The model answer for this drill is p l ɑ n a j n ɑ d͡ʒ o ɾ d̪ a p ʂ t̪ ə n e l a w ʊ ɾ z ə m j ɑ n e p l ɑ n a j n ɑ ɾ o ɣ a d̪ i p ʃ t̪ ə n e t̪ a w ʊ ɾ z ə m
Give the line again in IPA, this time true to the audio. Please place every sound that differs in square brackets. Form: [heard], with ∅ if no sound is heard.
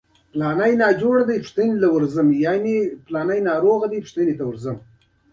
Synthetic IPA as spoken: p l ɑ n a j n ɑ d͡ʒ o [ɽ] d̪ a p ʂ t̪ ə n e l a w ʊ ɾ z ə m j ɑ n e p l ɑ n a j n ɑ ɾ o ɣ a d̪ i p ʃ t̪ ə n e t̪ a w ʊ ɾ z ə m

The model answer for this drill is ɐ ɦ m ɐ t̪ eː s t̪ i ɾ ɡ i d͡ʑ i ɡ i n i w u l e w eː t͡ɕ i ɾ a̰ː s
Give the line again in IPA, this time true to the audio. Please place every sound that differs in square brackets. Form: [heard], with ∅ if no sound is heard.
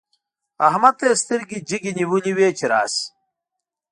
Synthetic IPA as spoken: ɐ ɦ m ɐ t̪ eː s t̪ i ɾ ɡ i d͡ʑ i ɡ i n i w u l [i] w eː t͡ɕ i ɾ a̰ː s

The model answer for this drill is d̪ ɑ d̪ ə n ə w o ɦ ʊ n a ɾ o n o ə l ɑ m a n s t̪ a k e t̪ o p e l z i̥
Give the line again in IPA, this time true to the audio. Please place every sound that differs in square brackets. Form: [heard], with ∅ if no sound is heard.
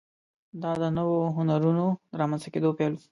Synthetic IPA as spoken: d̪ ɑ d̪ ə n ə w o ɦ ʊ n a ɾ [u] n o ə [ɾ] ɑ m a n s t̪ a k e [d̪] o p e l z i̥

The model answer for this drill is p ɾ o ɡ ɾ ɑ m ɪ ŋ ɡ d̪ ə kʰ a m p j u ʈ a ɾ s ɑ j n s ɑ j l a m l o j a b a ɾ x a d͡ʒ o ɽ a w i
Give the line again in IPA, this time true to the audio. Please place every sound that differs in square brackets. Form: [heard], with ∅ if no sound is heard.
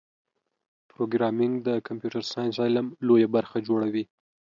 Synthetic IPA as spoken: p ɾ o ɡ ɾ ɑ m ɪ ŋ ɡ d̪ ə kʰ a m p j u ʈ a ɾ s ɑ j n s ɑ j l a m l o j a b a ɾ x a d͡ʒ o ɽ a w i

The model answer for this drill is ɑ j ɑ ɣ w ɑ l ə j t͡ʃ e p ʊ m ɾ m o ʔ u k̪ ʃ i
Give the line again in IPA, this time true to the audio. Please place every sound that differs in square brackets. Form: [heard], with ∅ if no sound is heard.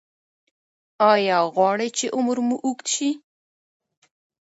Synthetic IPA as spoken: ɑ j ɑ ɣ w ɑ [ɽ] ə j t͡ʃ e [ʔ] ʊ m ɾ m [u] ʔ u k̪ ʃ i

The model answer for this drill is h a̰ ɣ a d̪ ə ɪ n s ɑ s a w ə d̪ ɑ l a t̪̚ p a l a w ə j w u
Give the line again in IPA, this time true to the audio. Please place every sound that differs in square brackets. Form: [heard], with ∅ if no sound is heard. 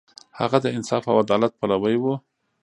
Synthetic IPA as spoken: h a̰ ɣ a d̪ ə ɪ n s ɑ [f] a w [a] d̪ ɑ l a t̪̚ p a l a w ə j w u

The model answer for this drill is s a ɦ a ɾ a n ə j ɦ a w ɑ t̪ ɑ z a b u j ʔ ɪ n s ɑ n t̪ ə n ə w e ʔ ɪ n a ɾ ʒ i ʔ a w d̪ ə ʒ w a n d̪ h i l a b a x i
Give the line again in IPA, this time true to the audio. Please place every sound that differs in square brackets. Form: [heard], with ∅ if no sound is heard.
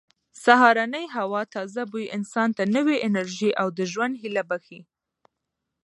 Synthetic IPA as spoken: s a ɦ [ɑ] ɾ a n ə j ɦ a w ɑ t̪ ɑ z a b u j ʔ ɪ n s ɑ n t̪ [a] n ə w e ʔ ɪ n a ɾ ʒ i ʔ a w d̪ ə ʒ w a n d̪ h i l a b a x i

